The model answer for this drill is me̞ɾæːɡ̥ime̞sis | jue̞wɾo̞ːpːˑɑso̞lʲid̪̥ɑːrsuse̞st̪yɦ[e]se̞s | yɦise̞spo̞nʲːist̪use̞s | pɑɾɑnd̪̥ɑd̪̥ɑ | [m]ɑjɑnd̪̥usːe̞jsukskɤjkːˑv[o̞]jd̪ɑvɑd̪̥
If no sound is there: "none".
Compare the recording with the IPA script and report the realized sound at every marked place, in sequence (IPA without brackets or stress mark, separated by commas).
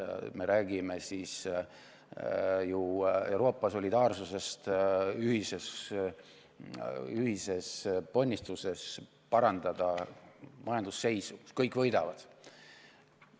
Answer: i, m, ɤ̞